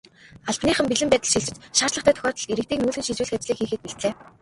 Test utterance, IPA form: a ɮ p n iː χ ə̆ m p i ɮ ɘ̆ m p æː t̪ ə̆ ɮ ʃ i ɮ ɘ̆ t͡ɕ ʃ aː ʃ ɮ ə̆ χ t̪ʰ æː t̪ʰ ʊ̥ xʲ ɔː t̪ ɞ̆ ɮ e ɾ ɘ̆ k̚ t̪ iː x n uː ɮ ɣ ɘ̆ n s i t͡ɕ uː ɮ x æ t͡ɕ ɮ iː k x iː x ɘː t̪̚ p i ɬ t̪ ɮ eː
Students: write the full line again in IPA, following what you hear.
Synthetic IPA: a ɮ p n iː χ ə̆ m p i ɮ ɘ̆ m p æː t̪ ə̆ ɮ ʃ i ɮ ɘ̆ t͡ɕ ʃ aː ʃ ɮ ə̆ χ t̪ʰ æː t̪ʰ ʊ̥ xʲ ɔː t̪ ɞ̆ ɮ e ɾ ɘ̆ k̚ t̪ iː k n uː ɮ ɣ ɘ̆ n ʃ i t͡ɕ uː ɮ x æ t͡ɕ ɮ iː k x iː x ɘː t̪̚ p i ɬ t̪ ɮ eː